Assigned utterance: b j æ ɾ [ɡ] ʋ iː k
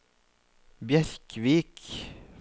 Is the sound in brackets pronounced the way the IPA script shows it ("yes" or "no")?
no